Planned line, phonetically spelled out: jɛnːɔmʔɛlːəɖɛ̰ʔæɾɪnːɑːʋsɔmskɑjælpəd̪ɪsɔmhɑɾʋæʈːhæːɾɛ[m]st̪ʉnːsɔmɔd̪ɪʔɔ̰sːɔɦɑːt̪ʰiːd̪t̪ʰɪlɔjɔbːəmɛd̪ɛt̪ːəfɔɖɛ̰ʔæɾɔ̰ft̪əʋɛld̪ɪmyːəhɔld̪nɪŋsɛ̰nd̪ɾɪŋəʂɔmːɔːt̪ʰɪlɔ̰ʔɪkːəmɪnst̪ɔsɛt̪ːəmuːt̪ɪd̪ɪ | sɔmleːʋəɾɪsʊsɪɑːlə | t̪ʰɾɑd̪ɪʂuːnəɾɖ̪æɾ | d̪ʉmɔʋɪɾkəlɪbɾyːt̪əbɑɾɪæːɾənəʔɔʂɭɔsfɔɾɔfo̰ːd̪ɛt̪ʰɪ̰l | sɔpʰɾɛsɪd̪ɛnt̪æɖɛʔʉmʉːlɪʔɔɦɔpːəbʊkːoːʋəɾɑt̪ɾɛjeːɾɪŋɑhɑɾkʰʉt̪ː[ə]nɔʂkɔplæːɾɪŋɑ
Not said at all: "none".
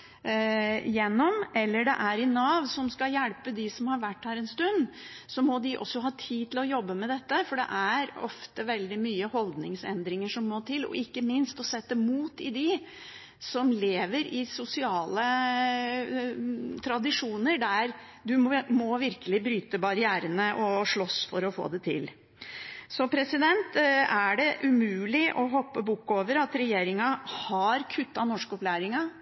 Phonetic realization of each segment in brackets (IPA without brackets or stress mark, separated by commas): n, ɑ